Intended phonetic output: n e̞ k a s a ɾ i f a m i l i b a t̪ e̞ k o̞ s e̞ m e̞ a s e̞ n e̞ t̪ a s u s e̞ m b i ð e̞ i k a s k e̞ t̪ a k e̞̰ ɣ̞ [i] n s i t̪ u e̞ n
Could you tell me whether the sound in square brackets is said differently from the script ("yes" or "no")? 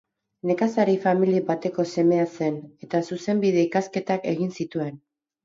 no